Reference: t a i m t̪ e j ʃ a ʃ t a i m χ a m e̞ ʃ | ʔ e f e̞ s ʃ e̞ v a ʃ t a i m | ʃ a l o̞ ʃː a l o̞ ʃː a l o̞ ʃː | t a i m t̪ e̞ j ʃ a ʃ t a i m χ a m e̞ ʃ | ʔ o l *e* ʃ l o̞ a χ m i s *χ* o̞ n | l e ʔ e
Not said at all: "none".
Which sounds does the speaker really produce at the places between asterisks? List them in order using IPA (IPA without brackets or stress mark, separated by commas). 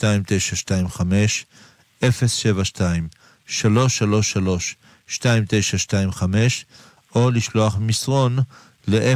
i, ʁ